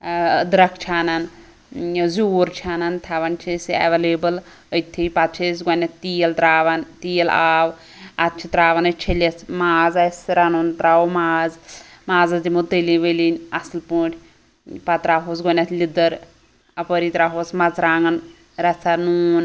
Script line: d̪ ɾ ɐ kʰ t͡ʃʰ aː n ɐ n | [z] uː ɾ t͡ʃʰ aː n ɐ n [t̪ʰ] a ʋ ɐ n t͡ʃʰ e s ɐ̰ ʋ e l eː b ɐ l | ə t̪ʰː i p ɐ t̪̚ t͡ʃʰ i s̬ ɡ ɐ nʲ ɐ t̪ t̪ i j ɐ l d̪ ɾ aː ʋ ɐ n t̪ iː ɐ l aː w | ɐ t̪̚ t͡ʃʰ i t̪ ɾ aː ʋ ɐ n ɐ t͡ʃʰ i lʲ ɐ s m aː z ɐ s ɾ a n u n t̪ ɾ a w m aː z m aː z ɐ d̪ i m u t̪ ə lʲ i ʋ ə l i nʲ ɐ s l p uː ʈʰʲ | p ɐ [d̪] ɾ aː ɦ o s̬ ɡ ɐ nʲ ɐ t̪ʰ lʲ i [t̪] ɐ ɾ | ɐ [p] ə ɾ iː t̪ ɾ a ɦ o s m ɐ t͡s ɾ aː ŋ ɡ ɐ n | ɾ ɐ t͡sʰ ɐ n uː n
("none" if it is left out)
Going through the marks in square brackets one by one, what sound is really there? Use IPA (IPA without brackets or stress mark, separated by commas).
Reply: z, t̪ʰ, t̪, d̪, p